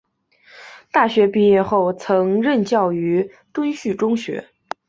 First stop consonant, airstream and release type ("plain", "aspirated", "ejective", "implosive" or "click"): plain